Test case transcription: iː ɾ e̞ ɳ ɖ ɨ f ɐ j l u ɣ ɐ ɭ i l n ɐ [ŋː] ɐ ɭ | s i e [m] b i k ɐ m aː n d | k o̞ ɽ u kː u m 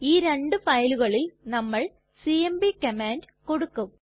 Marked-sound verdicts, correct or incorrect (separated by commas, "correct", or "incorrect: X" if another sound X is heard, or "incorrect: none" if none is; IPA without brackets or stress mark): incorrect: mː, correct